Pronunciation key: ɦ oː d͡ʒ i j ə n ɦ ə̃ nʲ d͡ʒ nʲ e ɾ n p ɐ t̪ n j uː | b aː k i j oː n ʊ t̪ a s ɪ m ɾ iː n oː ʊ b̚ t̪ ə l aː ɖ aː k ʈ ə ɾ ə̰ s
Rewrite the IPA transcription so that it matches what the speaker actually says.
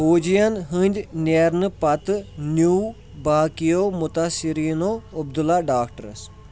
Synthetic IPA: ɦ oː d͡ʒ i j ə n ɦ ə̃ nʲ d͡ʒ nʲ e ɾ n p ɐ t̪ n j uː | b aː k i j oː m ʊ t̪ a s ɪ ɾ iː n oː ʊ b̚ d̪ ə l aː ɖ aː k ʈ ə ɾ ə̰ s

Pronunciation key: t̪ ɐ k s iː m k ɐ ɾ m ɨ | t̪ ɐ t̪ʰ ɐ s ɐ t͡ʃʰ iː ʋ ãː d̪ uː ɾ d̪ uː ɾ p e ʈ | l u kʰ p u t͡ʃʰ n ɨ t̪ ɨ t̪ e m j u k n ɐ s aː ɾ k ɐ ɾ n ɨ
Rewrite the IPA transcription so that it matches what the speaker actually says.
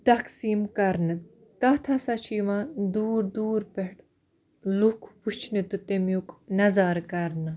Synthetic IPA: t̪ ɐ k s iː m k ɐ ɾ n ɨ | t̪ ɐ t̪ʰ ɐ s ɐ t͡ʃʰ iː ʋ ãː d̪ uː ɾ d̪ uː ɾ p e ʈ | l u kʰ p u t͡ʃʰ n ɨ t̪ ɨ t̪ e m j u k n ɐ z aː ɾ k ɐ ɾ n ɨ

